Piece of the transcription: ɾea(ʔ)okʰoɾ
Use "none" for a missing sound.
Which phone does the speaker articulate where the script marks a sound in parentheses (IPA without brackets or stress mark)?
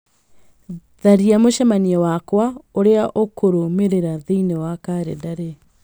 ʔ